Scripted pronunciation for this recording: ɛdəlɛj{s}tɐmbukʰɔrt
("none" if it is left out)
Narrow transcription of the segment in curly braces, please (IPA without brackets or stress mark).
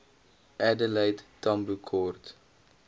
t